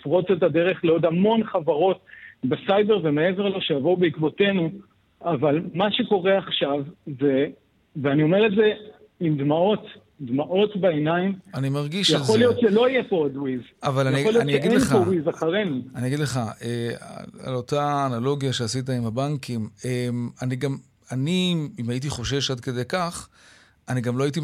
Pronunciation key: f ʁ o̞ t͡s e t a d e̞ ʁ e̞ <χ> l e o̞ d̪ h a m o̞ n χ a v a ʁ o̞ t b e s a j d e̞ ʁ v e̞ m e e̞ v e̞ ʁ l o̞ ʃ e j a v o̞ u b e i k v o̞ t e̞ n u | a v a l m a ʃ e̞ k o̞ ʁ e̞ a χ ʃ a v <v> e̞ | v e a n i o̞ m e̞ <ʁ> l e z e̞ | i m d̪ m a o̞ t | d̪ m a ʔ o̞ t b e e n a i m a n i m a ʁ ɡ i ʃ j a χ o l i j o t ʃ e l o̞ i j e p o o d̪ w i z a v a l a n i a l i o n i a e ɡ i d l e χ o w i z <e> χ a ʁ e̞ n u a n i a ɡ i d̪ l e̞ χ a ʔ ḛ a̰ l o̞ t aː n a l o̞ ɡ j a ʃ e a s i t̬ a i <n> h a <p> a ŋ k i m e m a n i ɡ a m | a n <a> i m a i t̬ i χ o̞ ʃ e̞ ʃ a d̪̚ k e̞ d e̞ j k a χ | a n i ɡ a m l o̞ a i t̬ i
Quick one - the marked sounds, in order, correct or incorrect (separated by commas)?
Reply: correct, incorrect, correct, incorrect, incorrect, incorrect, incorrect